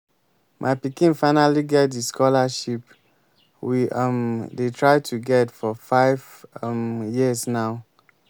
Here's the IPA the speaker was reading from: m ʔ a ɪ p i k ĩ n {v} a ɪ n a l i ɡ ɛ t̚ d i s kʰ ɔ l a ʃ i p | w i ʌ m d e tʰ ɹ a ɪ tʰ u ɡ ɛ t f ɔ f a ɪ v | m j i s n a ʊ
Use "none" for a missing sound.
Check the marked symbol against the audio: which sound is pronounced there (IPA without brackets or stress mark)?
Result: f